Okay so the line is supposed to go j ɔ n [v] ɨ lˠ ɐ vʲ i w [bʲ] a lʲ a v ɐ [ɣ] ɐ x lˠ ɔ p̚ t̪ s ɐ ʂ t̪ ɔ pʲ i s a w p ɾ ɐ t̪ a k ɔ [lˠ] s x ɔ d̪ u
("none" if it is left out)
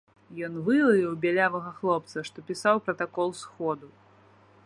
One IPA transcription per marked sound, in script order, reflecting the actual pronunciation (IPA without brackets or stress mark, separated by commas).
v, bʲ, ɣ, lˠ